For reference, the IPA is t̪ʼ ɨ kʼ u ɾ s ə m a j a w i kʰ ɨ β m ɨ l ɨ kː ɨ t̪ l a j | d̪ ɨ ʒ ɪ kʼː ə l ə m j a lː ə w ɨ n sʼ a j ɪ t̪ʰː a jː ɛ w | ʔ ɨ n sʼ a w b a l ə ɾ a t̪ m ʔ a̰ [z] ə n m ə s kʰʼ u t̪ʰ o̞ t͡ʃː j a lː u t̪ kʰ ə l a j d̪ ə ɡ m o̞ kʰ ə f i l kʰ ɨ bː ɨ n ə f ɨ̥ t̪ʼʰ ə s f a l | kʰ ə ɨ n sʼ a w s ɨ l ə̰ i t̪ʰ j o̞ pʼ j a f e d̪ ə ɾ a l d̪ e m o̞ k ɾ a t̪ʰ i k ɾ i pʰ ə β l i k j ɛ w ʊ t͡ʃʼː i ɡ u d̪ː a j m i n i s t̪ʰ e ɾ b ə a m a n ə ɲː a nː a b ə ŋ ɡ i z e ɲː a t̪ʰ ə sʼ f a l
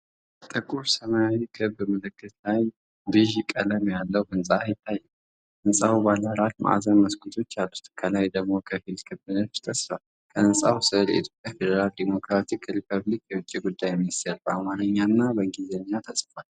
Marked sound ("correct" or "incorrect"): correct